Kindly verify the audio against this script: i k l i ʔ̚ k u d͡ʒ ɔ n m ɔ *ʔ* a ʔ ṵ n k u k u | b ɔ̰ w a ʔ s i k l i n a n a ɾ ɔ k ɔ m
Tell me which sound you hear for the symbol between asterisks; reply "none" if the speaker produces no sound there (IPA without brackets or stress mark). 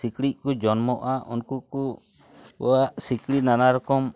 ʔ